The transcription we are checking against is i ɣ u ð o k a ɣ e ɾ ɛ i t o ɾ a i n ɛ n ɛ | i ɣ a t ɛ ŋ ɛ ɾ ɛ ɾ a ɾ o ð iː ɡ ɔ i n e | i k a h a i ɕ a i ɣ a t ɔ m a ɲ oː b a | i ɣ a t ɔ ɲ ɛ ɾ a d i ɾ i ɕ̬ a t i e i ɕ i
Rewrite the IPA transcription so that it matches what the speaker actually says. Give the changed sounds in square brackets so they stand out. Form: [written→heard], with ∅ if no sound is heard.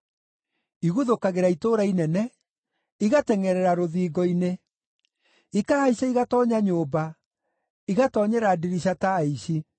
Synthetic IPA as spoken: i ɣ u ð o k a ɣ e ɾ [ɛ→a] i t o ɾ a i n ɛ n ɛ | i ɣ a t ɛ ŋ ɛ ɾ ɛ ɾ a ɾ o ð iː ɡ ɔ i n e | i k a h a i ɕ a i ɣ a t ɔ [m→ɲ] a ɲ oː b a | i ɣ a t ɔ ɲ ɛ ɾ a d i ɾ i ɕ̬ a t [i→a] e i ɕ i

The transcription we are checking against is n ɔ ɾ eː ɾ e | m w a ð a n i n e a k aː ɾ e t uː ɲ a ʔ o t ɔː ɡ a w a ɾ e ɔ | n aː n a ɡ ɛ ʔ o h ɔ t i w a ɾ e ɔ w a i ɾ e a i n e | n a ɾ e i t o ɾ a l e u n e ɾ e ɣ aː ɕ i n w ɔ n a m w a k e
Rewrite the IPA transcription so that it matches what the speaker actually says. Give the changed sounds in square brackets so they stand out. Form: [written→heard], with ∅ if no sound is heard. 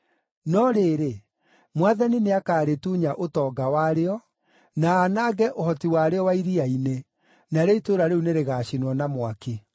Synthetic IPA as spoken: n ɔ ɾ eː ɾ e | m w a ð a n i n e a k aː ɾ e t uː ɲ a ʔ o t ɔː ɡ a w a ɾ e ɔ | n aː n a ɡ ɛ ʔ o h ɔ t i w a ɾ e ɔ w a i ɾ [e→i] a i n e | n a ɾ e i t o ɾ a [l→ɾ] e u n e ɾ e ɣ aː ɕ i n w ɔ n a m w a k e

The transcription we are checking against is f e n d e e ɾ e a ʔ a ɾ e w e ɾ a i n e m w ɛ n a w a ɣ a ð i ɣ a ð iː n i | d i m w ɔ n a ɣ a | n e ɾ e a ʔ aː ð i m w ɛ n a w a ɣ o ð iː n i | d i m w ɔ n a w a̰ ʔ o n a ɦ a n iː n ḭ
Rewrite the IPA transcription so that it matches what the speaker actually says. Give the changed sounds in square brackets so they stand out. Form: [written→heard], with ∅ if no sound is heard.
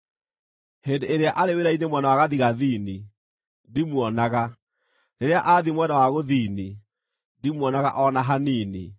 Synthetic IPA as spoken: [f→h] e n d e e ɾ e a ʔ a ɾ e w e ɾ a i n e m w ɛ n a w a ɣ a ð i ɣ a ð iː n i | d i m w ɔ n a ɣ a | n e ɾ e a ʔ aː ð i m w ɛ n a w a ɣ o ð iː n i | d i m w ɔ n a [w→ɣ] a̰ ʔ [o→ɔ] n a ɦ a n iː n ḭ

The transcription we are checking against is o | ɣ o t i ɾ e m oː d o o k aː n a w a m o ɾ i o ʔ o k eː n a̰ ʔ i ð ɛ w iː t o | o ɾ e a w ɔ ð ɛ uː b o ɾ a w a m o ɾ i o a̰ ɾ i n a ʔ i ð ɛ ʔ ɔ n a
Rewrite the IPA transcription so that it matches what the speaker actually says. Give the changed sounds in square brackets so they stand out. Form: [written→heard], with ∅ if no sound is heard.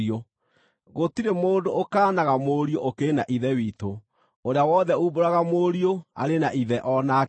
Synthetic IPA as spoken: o | ɣ o t i ɾ e m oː d o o k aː n a [w→ɣ] a m o ɾ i o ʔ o k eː n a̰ ʔ i ð ɛ w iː t o | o ɾ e a w ɔ ð ɛ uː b o ɾ a [w→ɣ] a m o ɾ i o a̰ ɾ [i→e] n a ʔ i ð ɛ ʔ ɔ n a

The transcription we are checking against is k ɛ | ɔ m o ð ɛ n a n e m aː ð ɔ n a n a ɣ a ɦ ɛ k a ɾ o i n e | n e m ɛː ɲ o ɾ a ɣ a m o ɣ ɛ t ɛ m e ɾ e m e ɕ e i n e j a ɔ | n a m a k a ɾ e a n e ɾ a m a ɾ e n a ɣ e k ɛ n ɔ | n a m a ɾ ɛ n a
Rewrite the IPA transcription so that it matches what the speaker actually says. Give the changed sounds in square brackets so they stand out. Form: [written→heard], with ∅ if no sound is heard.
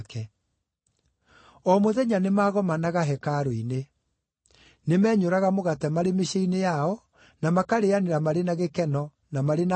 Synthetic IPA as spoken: k ɛ | ɔ m o ð ɛ [n→ɲ] a n e m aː [ð→ɣ] ɔ [n→m] a n a ɣ a ɦ ɛ k a ɾ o i n e | n e m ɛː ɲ o ɾ a ɣ a m o ɣ [ɛ→a] t ɛ m [e→a] ɾ e m e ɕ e i n e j a ɔ | n a m a k a ɾ e a n e ɾ a m a ɾ e n a ɣ e k ɛ n ɔ | n a m a ɾ [ɛ→e] n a

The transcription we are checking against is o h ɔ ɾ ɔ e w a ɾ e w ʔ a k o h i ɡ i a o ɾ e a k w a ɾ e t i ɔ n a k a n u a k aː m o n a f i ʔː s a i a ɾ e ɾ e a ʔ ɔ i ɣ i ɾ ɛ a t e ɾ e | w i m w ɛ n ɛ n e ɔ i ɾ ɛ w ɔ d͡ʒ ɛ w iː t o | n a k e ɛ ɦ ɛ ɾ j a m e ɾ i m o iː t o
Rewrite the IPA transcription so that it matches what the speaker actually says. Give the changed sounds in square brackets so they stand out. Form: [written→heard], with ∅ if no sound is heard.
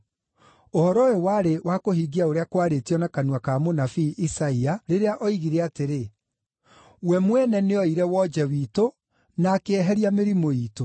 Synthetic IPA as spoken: o h ɔ ɾ ɔ e w a ɾ e w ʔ a k o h i ɡ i a o ɾ e a k w a ɾ e t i ɔ n a k a n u a k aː m o n a f i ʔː s a i a ɾ e ɾ e a ʔ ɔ i ɣ i ɾ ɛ a t e ɾ e | w [i→ɛ] m w ɛ n ɛ n e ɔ i ɾ ɛ w ɔ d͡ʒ ɛ w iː t o | n a k e ɛ ɦ ɛ ɾ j a m e ɾ i m o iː t o

